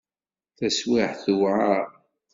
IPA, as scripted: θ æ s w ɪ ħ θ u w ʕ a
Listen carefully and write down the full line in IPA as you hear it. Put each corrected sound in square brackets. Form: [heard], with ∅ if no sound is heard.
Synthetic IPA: θ æ s w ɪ ħ θ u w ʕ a